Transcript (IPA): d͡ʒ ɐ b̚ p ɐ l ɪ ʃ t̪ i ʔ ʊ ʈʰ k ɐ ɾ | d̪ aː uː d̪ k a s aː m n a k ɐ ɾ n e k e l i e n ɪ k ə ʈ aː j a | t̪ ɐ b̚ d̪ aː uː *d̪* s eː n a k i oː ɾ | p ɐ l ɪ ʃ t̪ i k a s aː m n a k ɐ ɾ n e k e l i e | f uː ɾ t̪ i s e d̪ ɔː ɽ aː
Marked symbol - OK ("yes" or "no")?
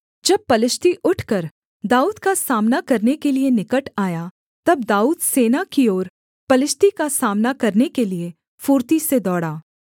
yes